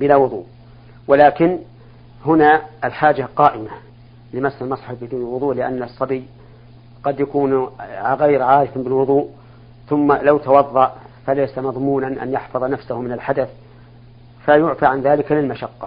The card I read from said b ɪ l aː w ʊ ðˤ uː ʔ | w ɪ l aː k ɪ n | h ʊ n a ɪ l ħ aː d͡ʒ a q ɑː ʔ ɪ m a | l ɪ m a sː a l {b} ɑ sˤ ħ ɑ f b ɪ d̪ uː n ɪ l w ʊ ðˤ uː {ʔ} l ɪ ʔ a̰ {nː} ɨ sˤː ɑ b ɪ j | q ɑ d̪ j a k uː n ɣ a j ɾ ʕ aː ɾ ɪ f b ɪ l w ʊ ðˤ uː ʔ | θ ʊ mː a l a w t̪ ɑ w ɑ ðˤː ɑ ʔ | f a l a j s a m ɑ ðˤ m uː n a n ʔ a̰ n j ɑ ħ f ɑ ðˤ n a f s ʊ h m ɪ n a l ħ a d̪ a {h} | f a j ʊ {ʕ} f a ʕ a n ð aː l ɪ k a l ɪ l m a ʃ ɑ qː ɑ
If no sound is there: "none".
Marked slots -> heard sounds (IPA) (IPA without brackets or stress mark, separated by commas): m, ʔ, nː, θ, ʕ